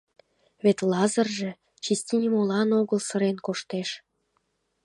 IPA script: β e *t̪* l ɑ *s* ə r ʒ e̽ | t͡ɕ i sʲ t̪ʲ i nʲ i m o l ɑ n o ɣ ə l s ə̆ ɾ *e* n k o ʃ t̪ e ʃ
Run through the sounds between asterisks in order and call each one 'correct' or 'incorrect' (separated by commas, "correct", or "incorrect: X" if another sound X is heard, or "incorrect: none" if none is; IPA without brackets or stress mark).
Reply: correct, incorrect: z, correct